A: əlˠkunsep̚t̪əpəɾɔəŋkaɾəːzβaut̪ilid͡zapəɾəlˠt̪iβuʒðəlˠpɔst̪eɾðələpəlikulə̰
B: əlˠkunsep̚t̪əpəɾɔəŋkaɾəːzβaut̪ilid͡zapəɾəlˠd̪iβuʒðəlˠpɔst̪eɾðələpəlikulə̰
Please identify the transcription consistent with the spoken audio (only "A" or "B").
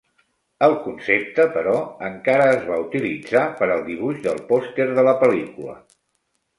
B